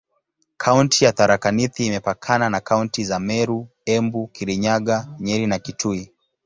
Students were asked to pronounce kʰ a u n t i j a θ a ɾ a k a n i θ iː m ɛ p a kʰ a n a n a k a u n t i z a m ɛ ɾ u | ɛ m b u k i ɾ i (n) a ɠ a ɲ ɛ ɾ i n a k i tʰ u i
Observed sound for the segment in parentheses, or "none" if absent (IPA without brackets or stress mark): ɲ